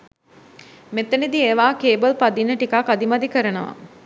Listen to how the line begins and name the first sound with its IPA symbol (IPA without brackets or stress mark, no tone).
m